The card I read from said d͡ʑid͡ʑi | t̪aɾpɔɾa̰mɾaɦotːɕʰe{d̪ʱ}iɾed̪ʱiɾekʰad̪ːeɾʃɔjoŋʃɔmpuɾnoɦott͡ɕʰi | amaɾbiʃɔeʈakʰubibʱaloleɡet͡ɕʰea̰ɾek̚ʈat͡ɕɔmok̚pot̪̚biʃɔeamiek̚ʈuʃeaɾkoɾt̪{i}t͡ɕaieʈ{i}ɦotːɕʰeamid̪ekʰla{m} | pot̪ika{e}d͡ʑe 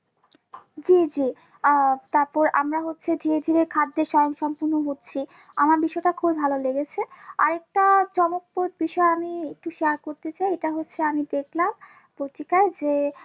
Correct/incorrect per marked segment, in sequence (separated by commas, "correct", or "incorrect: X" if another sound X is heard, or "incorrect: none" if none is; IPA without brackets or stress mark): correct, incorrect: e, incorrect: a, correct, correct